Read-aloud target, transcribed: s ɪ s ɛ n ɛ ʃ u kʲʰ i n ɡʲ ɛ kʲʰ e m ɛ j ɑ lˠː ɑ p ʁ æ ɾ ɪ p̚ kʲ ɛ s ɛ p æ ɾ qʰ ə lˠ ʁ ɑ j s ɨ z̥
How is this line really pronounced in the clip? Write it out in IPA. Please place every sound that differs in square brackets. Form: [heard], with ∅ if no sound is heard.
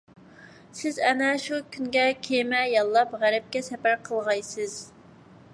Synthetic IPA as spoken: s ɪ [z] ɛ n ɛ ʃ u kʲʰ [y] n ɡʲ ɛ kʲʰ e m ɛ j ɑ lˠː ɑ p ʁ æ ɾ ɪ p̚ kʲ ɛ s ɛ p æ ɾ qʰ ə lˠ ʁ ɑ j s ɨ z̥